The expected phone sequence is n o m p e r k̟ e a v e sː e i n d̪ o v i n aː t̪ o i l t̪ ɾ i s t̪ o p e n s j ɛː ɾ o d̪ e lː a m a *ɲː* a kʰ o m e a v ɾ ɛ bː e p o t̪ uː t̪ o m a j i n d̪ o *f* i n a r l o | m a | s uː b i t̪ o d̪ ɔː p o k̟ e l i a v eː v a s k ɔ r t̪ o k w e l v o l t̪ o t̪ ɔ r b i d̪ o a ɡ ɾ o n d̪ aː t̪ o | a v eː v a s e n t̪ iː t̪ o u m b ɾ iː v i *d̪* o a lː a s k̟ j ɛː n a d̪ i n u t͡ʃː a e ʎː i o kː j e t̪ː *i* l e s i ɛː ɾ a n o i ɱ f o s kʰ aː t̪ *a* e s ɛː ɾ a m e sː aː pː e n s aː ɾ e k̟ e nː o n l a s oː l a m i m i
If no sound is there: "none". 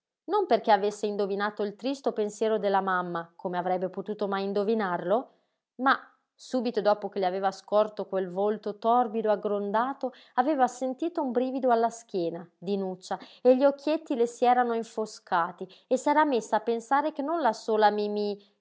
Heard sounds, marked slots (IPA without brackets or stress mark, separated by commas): mː, v, d̪, i, i